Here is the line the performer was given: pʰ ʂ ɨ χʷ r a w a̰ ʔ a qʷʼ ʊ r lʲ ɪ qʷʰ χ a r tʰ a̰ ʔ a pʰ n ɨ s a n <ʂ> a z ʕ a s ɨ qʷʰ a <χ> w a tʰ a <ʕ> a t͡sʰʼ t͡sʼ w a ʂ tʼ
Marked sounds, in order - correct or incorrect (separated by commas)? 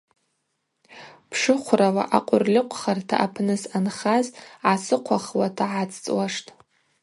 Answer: incorrect, correct, correct